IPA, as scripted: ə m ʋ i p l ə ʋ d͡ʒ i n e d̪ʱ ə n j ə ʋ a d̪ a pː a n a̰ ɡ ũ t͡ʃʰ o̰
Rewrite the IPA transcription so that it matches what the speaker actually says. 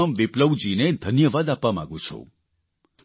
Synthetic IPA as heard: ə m ʋ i p l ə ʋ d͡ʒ i n e d̪ʱ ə n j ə ʋ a d̪ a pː a m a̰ ɡ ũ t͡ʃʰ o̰